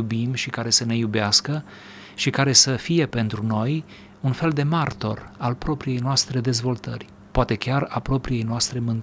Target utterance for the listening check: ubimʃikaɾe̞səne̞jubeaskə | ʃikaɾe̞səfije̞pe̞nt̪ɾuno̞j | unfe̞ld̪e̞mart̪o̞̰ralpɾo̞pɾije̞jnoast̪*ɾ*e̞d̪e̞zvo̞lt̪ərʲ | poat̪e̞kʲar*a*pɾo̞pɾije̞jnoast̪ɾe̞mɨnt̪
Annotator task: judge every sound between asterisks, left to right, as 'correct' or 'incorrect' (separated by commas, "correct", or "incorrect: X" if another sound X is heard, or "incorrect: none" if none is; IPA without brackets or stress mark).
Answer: correct, correct